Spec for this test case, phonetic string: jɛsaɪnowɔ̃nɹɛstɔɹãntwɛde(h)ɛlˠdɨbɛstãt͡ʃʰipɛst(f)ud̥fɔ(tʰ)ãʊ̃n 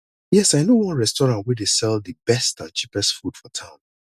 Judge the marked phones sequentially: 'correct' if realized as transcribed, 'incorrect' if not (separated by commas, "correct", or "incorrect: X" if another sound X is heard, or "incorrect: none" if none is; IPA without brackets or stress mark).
incorrect: s, correct, correct